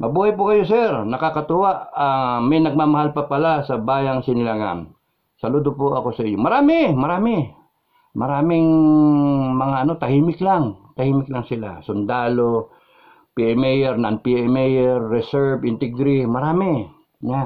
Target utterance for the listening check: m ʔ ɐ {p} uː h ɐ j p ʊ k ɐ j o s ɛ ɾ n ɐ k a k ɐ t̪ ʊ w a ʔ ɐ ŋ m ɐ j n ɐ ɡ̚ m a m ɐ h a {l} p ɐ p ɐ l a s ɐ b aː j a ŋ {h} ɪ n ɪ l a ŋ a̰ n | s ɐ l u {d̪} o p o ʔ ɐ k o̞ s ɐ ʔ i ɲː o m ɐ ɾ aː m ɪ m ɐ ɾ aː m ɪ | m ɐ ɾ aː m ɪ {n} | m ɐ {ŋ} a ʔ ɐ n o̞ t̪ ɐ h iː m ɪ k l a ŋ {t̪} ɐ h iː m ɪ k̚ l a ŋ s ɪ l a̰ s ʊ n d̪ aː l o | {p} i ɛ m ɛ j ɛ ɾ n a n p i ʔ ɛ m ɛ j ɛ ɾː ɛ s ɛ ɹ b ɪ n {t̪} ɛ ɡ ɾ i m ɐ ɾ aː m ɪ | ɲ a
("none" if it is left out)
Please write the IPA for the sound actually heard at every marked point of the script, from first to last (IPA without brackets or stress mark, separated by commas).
b, l, s, d̪, ŋ, ŋ, t̪, p, t̪